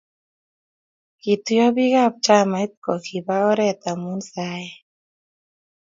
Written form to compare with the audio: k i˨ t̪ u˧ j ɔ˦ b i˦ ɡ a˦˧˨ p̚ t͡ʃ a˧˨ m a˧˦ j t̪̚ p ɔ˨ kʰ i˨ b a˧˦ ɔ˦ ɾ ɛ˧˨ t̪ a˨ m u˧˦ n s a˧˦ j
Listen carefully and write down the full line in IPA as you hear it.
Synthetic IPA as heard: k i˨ t̪ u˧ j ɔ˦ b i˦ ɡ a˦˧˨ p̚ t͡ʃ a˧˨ m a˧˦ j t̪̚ k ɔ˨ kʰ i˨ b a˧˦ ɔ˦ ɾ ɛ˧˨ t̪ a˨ m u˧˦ n s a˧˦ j

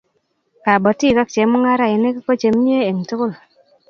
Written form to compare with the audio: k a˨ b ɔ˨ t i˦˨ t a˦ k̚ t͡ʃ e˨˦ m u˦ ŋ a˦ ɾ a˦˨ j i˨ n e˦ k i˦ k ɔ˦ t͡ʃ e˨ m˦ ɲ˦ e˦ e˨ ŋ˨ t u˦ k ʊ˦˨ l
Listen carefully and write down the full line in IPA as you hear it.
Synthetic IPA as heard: k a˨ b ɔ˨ t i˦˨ k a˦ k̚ t͡ʃ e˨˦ m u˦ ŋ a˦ ɾ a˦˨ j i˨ n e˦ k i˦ k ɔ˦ t͡ʃ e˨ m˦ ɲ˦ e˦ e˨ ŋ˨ t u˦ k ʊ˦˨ l

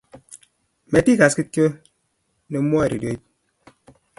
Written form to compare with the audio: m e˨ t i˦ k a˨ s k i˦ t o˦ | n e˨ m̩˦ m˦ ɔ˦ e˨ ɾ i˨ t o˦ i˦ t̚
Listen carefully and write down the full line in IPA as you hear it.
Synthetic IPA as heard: m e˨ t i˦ k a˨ s k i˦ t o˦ | n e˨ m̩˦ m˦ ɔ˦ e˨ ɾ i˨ d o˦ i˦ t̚

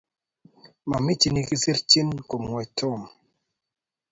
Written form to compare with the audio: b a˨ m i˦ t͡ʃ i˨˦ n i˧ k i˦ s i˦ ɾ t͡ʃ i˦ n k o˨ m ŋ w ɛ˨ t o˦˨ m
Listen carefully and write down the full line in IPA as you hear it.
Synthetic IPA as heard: m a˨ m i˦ t͡ʃ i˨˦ n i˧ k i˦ s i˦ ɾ t͡ʃ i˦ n k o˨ m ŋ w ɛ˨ t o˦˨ m

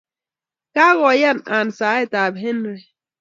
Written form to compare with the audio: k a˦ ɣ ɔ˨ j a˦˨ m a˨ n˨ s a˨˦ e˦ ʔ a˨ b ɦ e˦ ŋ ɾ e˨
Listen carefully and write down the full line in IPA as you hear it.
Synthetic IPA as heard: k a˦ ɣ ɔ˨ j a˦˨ n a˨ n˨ s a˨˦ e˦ t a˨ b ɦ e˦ n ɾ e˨

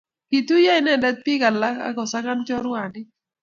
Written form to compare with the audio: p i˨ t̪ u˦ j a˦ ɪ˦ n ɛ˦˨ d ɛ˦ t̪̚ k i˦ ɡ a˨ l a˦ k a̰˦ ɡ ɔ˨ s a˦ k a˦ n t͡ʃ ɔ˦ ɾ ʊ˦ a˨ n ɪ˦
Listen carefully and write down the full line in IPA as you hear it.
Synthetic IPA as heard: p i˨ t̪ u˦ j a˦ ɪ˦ n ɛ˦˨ d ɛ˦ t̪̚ p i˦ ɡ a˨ l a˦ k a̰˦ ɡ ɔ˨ s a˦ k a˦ n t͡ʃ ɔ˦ ɾ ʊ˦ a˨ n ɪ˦

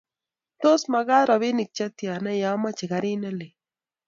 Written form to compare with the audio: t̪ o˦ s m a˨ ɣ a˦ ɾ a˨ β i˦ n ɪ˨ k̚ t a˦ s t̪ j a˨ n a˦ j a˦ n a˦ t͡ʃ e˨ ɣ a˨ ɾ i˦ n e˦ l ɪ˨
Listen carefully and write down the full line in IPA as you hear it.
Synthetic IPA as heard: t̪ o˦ s m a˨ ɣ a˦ ɾ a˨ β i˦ n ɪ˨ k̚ t͡ʃ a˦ t̪ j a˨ n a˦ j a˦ m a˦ t͡ʃ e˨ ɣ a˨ ɾ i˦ n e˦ l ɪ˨

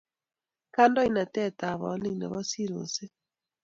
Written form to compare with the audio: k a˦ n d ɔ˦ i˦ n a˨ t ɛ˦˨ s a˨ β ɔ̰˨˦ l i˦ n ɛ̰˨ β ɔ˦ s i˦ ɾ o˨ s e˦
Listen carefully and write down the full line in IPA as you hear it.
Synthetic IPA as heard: k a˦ n d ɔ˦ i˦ n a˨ t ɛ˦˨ t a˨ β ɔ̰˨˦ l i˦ n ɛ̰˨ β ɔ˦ s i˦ ɾ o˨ s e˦

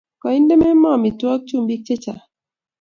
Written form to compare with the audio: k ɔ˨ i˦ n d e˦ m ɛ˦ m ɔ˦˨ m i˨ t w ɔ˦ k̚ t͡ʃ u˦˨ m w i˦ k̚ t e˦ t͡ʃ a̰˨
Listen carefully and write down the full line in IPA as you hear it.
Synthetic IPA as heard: k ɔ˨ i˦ n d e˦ m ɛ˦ m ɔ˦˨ m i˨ t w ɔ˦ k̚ t͡ʃ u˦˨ m b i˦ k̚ t͡ʃ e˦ t͡ʃ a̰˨

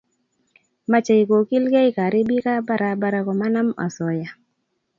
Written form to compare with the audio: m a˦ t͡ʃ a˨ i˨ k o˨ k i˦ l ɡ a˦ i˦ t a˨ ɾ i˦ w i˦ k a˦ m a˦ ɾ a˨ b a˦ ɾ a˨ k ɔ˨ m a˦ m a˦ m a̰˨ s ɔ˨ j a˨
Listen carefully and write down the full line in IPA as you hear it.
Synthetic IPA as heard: m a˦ t͡ʃ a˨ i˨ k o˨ k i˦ l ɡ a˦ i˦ k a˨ ɾ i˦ b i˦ k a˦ b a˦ ɾ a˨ b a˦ ɾ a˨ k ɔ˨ m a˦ n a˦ m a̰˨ s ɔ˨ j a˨

